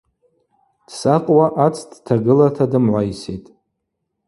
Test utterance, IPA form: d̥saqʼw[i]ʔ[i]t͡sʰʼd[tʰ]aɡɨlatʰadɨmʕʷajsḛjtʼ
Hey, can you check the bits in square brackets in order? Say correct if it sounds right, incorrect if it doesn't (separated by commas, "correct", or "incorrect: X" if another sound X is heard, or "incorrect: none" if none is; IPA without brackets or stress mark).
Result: incorrect: a, incorrect: a, correct